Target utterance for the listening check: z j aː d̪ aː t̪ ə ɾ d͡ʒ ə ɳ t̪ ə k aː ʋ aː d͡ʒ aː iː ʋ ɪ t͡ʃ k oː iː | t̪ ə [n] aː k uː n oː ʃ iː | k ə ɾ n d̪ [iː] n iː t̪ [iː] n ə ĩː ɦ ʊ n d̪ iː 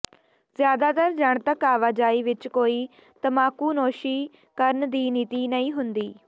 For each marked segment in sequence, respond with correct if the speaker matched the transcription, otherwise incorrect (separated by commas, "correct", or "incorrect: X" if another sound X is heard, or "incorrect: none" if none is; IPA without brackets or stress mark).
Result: incorrect: m, correct, correct